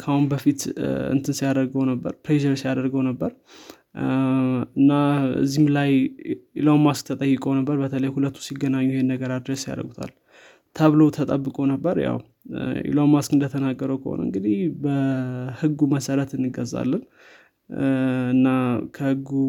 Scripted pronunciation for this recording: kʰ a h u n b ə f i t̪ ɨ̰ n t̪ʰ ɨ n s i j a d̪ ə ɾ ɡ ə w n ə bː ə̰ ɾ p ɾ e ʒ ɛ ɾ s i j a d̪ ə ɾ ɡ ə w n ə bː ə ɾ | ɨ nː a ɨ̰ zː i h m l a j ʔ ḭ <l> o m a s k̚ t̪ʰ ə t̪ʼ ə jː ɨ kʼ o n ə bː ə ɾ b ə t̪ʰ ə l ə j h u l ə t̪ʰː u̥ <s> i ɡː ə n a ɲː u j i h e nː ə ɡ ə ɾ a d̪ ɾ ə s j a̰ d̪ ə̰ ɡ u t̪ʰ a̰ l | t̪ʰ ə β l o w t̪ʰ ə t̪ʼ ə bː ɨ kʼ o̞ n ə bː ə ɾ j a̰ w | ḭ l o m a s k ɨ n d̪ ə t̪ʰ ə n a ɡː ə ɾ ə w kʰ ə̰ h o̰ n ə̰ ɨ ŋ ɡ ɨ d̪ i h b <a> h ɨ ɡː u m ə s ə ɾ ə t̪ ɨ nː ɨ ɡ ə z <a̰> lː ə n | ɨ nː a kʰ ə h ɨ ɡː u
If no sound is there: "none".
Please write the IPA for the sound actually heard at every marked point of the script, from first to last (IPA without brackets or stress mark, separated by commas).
l, s, ə, a̰